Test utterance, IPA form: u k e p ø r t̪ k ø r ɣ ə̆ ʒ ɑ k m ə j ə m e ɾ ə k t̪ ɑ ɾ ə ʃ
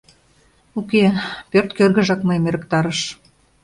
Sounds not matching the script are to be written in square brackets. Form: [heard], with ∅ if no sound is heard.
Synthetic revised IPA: u k e p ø r t̪ k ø r ɣ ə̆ ʒ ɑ k m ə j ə m e ɾ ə k t̪ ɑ ɾ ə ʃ

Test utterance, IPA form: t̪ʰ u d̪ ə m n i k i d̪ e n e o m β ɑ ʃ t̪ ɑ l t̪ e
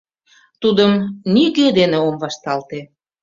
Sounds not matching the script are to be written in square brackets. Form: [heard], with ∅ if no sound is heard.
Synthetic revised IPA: [t̪] u d̪ ə m n i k [e] d̪ e n e o m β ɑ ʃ t̪ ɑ l t̪ e

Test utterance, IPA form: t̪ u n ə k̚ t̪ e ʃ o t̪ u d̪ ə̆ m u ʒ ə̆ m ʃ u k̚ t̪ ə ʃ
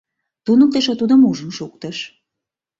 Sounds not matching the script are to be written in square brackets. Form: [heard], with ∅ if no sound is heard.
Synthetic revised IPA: t̪ u n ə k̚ t̪ e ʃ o t̪ u d̪ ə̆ m u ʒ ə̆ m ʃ u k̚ t̪ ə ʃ

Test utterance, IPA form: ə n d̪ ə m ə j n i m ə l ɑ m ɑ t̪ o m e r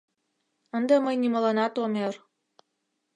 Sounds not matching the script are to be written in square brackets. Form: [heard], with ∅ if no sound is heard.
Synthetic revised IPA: ə n d̪ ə m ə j n i m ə l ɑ [n] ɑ t̪ o m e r

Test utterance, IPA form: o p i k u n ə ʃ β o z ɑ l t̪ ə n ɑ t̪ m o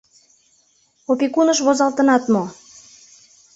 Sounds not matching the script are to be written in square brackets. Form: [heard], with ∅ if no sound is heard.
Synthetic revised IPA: o p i k u n ə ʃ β o z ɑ l t̪ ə n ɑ t̪ m o

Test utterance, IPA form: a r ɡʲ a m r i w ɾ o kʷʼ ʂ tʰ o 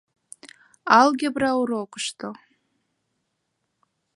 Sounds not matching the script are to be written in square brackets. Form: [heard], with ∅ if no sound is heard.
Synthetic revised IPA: a [l] ɡʲ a [b] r [a] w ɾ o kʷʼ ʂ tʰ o

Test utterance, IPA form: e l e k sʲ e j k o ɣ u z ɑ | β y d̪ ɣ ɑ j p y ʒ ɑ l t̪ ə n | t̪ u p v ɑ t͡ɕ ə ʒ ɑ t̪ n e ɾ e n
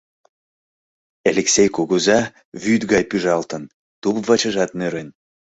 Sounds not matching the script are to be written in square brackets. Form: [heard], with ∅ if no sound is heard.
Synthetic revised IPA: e l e k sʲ e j k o ɣ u z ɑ | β y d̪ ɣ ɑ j p y ʒ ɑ l t̪ ə n | t̪ u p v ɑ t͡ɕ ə ʒ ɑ t̪ n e ɾ e n

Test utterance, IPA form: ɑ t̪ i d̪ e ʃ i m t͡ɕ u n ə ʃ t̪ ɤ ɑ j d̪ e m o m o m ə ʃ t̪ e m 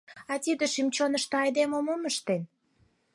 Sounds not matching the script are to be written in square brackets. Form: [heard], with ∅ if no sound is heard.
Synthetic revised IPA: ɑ t̪ i d̪ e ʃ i m t͡ɕ [o] n ə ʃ t̪ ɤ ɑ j d̪ e m o m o m ə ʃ t̪ e [n]

